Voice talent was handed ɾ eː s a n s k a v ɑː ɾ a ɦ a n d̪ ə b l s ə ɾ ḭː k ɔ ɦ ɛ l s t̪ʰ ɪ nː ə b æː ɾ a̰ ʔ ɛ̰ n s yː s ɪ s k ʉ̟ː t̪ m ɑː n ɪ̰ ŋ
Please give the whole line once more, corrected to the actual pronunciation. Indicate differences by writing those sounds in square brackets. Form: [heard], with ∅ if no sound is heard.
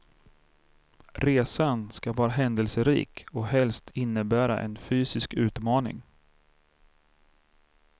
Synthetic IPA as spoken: ɾ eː s a n s k a v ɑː ɾ a ɦ [ɛ] n d̪ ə [∅] l s ə ɾ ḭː k ɔ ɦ ɛ l s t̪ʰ ɪ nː ə b æː ɾ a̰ ʔ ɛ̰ n [f] yː s ɪ s k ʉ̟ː t̪ m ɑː n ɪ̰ ŋ

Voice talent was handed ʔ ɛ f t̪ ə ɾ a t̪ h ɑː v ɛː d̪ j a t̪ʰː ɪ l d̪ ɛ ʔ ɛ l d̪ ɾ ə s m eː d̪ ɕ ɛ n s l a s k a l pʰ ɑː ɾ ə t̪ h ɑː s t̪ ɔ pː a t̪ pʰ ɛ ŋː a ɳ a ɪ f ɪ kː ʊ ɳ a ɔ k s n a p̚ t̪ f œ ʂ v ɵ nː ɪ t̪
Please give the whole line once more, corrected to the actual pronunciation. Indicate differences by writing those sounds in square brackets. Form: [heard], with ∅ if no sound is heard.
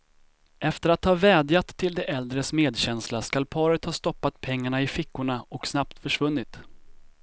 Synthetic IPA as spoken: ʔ ɛ f t̪ ə ɾ a t̪ h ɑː v ɛː d̪ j a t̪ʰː ɪ l d̪ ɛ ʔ ɛ l d̪ ɾ ə s m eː d̪ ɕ ɛ n s l a s k a l pʰ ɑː ɾ ə t̪ h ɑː s t̪ ɔ pː a t̪ pʰ ɛ ŋː a ɳ a ɪ f ɪ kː ʊ ɳ a ɔ k s n a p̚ t̪ f œ ʂ v ɵ nː ɪ t̪

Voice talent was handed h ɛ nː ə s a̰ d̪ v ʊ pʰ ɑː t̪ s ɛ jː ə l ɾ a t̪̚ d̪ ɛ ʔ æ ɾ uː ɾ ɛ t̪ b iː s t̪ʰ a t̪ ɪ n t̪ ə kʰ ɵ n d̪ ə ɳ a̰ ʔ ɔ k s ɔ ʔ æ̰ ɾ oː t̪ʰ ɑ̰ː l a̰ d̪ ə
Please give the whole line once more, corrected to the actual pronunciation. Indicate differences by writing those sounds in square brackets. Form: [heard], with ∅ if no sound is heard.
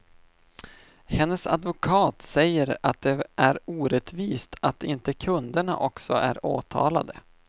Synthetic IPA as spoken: h ɛ nː ə s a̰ d̪ v ʊ [kʰ] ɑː t̪ s ɛ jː ə [∅] ɾ a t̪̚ d̪ ɛ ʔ æ ɾ uː ɾ ɛ t̪ [v] iː s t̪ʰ a t̪ ɪ n t̪ ə kʰ ɵ n d̪ ə ɳ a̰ ʔ ɔ k s ɔ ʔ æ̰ ɾ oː t̪ʰ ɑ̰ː l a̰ d̪ ə

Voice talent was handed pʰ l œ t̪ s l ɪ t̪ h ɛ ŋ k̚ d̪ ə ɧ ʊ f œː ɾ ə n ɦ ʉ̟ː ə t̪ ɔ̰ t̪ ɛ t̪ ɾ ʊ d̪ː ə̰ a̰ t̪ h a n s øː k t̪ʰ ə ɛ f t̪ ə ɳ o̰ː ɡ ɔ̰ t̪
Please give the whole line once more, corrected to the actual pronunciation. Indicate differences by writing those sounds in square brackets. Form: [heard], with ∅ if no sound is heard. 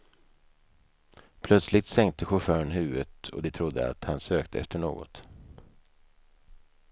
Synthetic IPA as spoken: pʰ l œ t̪ s l ɪ t̪ [s] ɛ ŋ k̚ [t̪] ə ɧ ʊ f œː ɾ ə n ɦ ʉ̟ː ə t̪ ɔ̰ [d̪] ɛ [t̪ʰ] ɾ ʊ d̪ː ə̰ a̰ t̪ h a n s øː k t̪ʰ ə ɛ f t̪ ə ɳ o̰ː ɡ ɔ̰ t̪

